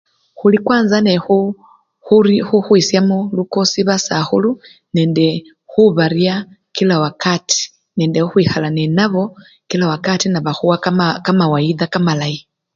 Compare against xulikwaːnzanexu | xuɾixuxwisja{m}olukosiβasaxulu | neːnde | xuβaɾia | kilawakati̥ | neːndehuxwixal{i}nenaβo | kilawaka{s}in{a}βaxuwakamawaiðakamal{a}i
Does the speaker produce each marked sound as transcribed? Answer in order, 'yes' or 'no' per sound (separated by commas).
yes, no, no, yes, yes